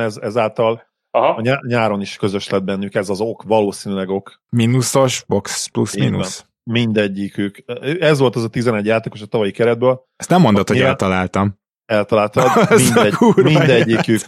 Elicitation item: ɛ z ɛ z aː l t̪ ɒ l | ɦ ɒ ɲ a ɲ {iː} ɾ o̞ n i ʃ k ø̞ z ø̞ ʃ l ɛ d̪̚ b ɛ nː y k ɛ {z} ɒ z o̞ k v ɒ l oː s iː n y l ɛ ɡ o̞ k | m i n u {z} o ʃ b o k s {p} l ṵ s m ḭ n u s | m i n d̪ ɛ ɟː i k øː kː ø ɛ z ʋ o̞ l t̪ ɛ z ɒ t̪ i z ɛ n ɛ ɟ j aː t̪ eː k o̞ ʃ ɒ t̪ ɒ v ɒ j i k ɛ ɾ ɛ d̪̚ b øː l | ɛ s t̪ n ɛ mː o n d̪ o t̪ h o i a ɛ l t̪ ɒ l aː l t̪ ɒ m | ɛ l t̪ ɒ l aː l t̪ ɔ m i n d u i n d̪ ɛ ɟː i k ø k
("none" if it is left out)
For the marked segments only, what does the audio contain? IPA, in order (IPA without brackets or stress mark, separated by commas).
aː, z, s, p